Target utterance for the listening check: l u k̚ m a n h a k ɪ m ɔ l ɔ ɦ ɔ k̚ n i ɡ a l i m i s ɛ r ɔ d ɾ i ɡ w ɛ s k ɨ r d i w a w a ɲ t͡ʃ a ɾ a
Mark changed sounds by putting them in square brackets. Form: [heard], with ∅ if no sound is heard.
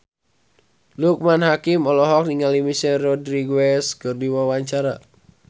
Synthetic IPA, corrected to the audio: l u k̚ m a n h a k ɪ m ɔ l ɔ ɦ ɔ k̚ n i [ŋ] a l i m i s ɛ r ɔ d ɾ i ɡ w ɛ s k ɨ r d i w a w a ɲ t͡ʃ a ɾ a